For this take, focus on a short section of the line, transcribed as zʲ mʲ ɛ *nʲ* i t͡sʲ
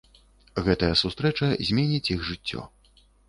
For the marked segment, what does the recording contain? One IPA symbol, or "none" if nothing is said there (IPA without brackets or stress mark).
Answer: nʲ